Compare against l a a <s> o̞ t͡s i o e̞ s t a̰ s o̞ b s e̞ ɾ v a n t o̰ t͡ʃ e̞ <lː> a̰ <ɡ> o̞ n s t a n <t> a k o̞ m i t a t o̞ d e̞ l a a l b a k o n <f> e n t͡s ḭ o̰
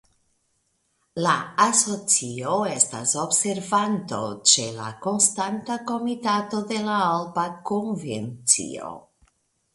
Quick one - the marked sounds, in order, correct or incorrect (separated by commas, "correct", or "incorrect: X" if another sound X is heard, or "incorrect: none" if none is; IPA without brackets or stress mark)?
correct, incorrect: l, incorrect: k, correct, incorrect: v